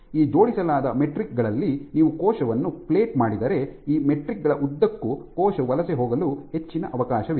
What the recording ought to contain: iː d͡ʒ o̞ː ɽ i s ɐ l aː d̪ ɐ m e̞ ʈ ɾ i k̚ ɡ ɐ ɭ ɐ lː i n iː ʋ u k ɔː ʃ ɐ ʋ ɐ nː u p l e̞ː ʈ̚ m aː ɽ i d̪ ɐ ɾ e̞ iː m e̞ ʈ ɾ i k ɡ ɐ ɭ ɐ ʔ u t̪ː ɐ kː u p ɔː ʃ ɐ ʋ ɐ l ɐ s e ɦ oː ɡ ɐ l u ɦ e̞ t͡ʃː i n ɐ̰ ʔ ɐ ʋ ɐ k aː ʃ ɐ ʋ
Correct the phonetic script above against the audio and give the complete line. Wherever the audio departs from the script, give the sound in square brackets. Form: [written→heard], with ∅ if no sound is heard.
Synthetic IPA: iː d͡ʒ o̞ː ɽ i s ɐ l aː d̪ ɐ m e̞ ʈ ɾ i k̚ ɡ ɐ ɭ ɐ lː i n iː ʋ u k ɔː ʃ ɐ ʋ ɐ nː u p l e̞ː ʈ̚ m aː ɽ i d̪ ɐ ɾ e̞ iː m e̞ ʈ ɾ i k ɡ ɐ ɭ ɐ ʔ u [t̪ː→d̪ː] ɐ kː u [p→k] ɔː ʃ ɐ ʋ ɐ l ɐ s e ɦ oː ɡ ɐ l u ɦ e̞ t͡ʃː i n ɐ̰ ʔ ɐ ʋ ɐ k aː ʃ ɐ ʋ

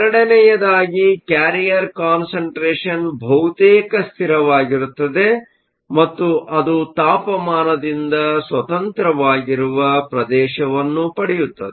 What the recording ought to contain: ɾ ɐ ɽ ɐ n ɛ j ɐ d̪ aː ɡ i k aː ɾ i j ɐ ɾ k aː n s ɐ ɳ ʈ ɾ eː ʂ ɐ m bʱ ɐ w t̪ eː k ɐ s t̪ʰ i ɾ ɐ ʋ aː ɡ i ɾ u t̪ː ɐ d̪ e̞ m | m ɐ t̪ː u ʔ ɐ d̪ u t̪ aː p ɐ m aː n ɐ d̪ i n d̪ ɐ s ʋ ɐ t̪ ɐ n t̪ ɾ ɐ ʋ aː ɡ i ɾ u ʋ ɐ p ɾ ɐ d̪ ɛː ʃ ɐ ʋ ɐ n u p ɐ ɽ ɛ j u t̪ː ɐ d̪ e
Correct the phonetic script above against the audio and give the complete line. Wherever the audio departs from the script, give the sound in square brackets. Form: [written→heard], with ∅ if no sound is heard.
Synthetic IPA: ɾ ɐ ɽ ɐ n ɛ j ɐ d̪ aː ɡ i k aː ɾ i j ɐ ɾ k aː n s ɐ ɳ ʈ ɾ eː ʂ ɐ [m→n] bʱ ɐ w t̪ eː k ɐ s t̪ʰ i ɾ ɐ ʋ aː ɡ i ɾ u t̪ː ɐ d̪ e̞ [m→∅] | m ɐ t̪ː u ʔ ɐ d̪ u t̪ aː p ɐ m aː n ɐ d̪ i n d̪ ɐ s ʋ ɐ t̪ ɐ n t̪ ɾ ɐ ʋ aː ɡ i ɾ u ʋ ɐ p ɾ ɐ d̪ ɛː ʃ ɐ ʋ ɐ [n→nː] u p ɐ ɽ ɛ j u t̪ː ɐ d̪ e

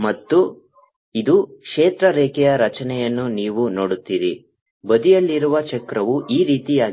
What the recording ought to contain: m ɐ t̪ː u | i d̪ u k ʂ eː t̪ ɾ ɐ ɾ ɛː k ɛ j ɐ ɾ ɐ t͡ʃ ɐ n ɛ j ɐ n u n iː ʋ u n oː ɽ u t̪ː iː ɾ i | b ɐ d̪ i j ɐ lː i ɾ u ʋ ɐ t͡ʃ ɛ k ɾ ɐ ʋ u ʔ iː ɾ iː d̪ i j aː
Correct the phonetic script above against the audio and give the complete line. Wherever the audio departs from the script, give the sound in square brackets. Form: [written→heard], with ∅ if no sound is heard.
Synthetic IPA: m ɐ t̪ː u | i d̪ u k ʂ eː t̪ ɾ ɐ ɾ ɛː k ɛ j ɐ ɾ ɐ t͡ʃ ɐ n ɛ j ɐ [n→nː] u n iː ʋ u n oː ɽ u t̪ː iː ɾ i | b ɐ d̪ i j ɐ lː i ɾ u ʋ ɐ t͡ʃ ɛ k ɾ ɐ ʋ u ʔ iː ɾ iː [d̪→t̪] i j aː

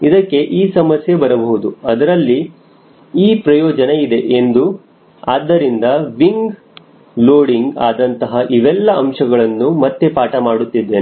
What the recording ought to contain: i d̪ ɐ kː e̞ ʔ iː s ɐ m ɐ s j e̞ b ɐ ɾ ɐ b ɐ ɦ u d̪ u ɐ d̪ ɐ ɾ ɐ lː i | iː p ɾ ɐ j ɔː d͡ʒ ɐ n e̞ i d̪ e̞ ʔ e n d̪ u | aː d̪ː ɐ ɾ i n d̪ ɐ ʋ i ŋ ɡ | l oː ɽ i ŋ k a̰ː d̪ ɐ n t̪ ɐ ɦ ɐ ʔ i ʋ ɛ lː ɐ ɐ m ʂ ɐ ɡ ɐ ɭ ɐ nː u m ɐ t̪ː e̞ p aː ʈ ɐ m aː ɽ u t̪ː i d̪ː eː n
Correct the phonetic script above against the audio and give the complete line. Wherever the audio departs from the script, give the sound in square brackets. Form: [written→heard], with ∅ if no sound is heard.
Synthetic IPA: i d̪ ɐ kː e̞ ʔ iː s ɐ m ɐ s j e̞ b ɐ ɾ ɐ b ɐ ɦ u d̪ u ɐ d̪ ɐ ɾ ɐ lː i | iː p ɾ ɐ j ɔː d͡ʒ ɐ n e̞ i d̪ e̞ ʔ e n d̪ u | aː d̪ː ɐ ɾ i n d̪ ɐ ʋ i ŋ ɡ | l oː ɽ i ŋ [k→ɡ] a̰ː d̪ ɐ n t̪ ɐ ɦ ɐ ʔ i ʋ ɛ lː ɐ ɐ m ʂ ɐ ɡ ɐ ɭ ɐ nː u m ɐ t̪ː e̞ p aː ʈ ɐ m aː ɽ u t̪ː i d̪ː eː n

